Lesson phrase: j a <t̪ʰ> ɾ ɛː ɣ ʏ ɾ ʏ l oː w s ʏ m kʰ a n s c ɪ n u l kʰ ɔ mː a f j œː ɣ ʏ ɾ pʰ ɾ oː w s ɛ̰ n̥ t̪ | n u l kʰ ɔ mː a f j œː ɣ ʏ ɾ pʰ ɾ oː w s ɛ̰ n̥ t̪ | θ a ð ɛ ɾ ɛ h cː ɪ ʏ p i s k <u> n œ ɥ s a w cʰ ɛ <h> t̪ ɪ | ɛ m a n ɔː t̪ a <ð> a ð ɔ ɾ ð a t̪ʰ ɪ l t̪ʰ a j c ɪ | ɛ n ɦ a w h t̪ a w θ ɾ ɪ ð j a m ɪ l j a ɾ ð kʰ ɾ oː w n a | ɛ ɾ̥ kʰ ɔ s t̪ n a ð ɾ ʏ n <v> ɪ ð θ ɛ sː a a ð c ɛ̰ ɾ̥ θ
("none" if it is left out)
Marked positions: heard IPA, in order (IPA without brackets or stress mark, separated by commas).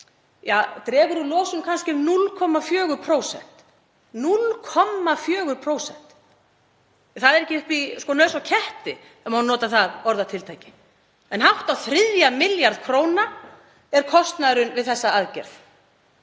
t̪, ɔ, h, θ, v